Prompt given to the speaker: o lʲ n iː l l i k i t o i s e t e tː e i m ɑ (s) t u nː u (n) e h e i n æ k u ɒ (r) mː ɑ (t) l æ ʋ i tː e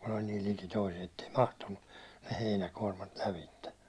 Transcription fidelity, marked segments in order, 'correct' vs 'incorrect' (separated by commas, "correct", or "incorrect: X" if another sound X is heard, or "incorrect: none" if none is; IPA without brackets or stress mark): incorrect: h, correct, correct, correct